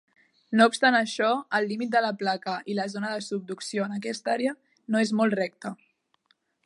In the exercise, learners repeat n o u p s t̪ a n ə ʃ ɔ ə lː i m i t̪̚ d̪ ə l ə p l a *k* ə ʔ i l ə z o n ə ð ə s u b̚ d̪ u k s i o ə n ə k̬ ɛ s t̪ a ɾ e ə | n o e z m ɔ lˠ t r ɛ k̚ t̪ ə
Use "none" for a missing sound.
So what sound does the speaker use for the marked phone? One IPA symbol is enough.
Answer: k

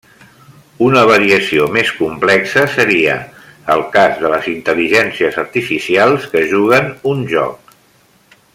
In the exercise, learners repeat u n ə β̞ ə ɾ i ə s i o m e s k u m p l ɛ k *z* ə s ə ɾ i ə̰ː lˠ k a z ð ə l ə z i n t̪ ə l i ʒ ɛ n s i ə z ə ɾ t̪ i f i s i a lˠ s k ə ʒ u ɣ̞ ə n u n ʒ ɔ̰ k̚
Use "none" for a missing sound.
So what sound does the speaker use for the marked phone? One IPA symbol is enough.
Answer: s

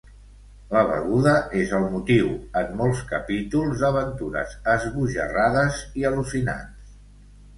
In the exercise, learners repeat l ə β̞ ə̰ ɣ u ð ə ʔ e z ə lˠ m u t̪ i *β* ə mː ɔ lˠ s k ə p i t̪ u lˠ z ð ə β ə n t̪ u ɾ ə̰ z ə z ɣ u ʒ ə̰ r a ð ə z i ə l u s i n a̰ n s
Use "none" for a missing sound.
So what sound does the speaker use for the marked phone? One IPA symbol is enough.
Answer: w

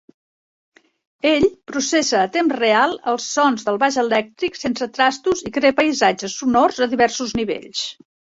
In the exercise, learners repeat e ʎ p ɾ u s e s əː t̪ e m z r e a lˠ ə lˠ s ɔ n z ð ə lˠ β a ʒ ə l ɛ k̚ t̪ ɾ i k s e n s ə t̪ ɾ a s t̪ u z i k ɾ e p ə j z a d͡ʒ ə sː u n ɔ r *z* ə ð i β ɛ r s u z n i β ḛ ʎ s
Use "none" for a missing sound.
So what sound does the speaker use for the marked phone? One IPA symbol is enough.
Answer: z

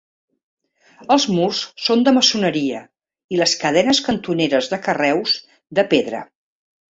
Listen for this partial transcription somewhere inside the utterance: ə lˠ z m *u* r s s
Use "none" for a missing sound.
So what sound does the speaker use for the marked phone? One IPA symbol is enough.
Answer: u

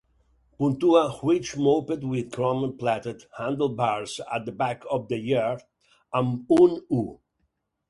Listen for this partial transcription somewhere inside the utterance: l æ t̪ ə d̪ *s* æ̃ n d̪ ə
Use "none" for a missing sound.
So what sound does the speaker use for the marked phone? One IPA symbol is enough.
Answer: h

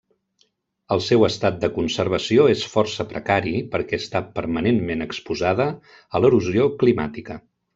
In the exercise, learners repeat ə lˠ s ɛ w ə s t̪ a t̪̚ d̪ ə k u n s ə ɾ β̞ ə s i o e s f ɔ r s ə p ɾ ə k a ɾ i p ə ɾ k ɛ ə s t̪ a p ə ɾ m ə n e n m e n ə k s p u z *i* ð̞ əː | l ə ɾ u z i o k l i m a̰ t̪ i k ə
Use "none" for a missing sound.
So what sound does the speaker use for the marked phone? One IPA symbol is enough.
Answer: a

